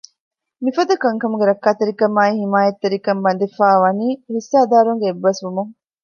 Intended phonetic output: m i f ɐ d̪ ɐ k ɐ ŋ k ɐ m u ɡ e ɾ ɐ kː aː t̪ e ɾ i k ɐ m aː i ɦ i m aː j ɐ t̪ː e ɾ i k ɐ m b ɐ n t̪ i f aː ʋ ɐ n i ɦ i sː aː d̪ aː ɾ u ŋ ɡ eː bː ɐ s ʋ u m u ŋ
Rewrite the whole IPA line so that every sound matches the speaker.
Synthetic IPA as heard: m i f ɐ d̪ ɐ k ɐ ŋ k ɐ m u ɡ e ɾ ɐ kː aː t̪ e ɾ i k ɐ m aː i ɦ i m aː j ɐ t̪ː e ɾ i k ɐ m b ɐ n d̪ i f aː ʋ ɐ n iː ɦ i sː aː d̪ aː ɾ u ŋ ɡ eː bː ɐ s ʋ u m u ŋ